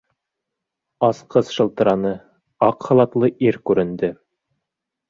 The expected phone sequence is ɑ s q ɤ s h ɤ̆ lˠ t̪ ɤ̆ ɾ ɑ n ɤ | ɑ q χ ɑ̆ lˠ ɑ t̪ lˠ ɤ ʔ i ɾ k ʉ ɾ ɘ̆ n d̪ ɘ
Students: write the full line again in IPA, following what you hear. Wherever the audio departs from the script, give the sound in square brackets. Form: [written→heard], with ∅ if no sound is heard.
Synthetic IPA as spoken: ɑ s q ɤ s [h→ʃ] ɤ̆ lˠ t̪ ɤ̆ ɾ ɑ n ɤ | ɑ q χ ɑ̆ lˠ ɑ t̪ lˠ ɤ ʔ i ɾ k ʉ ɾ ɘ̆ n d̪ ɘ